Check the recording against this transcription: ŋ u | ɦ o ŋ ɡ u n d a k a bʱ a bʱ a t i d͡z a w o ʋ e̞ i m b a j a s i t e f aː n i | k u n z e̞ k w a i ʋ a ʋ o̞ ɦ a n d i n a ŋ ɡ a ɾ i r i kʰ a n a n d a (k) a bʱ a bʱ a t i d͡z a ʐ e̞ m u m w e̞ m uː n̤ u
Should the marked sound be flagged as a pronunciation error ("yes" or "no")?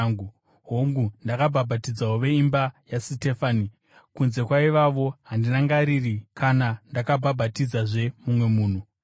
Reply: no